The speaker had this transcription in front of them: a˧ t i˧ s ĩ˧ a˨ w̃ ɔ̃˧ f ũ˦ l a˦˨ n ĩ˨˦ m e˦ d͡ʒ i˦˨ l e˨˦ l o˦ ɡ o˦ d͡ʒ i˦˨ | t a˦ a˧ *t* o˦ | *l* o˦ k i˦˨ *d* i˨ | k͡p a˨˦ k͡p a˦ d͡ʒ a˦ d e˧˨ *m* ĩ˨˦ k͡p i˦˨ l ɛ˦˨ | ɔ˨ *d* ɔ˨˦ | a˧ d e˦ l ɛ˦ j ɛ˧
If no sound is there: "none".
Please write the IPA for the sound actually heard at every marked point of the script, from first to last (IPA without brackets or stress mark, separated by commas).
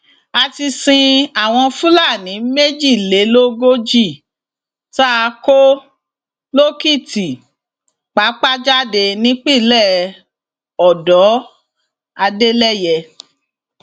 k, l, t, n, d